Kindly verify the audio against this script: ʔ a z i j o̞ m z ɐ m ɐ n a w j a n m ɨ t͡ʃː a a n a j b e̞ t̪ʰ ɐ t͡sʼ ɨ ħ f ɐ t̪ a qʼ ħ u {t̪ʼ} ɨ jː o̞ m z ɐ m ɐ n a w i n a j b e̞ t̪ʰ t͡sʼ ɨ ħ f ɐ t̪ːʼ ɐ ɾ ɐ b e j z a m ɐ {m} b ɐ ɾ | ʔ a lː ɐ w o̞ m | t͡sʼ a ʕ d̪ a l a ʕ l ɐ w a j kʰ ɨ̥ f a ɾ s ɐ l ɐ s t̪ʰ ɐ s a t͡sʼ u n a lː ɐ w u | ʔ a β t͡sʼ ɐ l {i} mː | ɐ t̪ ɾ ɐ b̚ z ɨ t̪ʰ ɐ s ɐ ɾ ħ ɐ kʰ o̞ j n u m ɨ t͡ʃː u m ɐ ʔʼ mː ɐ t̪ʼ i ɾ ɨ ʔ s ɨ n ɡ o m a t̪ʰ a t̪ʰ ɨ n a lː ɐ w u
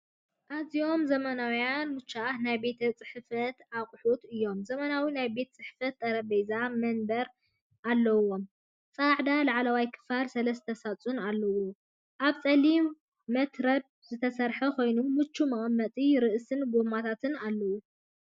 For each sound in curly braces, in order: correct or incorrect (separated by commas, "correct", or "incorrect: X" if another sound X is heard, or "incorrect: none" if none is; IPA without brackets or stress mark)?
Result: incorrect: t̪, incorrect: n, correct